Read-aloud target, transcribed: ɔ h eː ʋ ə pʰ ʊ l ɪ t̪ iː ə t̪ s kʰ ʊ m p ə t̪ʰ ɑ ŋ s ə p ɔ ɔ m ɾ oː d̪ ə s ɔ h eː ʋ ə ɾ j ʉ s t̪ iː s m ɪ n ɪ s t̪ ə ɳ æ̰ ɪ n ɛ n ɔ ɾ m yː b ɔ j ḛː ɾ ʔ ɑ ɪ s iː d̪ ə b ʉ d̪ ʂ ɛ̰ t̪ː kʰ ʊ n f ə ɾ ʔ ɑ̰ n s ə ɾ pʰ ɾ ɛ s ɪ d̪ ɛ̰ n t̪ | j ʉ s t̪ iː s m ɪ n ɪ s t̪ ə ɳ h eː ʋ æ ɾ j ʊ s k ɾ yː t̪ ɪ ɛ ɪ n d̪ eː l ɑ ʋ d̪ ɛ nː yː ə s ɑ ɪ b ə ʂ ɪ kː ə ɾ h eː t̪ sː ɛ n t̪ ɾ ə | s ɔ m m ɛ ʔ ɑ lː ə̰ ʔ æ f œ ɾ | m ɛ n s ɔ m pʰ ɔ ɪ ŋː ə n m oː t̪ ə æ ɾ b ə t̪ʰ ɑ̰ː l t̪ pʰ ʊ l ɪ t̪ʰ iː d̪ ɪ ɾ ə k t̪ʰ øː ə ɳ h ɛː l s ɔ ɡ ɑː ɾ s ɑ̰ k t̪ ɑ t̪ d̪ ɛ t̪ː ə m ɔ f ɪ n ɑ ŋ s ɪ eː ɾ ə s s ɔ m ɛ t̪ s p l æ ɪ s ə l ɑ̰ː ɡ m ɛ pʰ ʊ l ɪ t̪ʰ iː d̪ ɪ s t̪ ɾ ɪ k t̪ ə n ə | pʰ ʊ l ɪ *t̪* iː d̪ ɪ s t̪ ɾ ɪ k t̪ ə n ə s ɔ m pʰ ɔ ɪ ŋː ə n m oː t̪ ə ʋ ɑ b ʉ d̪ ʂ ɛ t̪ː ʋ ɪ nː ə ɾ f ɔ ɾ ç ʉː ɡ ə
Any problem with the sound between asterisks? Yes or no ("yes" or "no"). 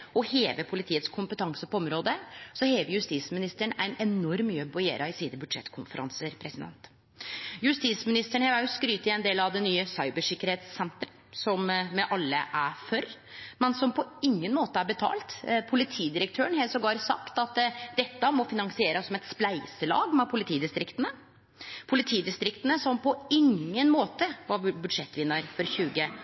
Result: yes